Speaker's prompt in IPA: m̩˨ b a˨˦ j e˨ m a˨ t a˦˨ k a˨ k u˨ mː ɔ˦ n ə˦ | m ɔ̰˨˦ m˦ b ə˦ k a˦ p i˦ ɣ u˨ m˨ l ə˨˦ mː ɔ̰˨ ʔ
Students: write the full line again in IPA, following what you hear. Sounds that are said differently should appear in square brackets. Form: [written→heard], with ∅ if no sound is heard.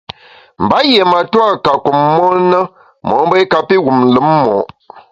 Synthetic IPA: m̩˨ b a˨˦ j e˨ m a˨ t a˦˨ k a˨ k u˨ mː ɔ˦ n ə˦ | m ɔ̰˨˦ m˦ b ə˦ k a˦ p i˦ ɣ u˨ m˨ l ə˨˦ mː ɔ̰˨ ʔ

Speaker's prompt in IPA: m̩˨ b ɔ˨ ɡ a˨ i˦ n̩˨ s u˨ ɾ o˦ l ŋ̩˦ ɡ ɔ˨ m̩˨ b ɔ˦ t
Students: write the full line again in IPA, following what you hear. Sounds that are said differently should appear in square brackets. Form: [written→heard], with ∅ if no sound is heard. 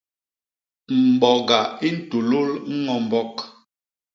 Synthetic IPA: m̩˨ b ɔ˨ ɡ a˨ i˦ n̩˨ [s→t] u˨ [ɾ→l] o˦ l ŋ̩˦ [ɡ→ŋ] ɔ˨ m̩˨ b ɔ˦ [t→k]

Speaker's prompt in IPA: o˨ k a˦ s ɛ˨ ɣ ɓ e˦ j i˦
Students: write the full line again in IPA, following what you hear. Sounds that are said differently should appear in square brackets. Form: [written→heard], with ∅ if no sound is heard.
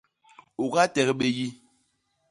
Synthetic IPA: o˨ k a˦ [s→t] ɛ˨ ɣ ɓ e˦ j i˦

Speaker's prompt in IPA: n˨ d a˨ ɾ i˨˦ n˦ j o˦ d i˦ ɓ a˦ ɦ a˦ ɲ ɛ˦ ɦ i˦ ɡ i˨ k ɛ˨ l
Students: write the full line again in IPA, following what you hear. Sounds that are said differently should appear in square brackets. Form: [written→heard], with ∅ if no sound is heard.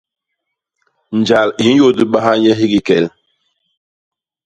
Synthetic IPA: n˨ [d→d͡ʒ] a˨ [ɾ→l] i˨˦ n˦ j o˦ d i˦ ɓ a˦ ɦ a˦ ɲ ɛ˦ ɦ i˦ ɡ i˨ k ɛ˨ l

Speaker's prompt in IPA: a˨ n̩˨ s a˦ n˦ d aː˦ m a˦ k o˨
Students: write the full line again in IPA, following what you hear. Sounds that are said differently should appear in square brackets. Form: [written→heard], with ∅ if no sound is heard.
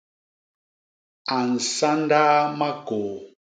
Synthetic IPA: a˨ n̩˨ s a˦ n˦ d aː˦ m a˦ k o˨

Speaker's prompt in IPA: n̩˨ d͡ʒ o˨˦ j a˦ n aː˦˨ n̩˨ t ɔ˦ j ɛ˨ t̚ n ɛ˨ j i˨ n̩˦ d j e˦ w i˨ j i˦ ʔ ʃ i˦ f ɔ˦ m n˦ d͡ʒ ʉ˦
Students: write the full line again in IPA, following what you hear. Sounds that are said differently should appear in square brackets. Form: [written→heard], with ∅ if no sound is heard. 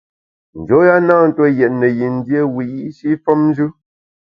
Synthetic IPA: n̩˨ d͡ʒ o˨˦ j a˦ n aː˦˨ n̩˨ t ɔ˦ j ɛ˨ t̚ n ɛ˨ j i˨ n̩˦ d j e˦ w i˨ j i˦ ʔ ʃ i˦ f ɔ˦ m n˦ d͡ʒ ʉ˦

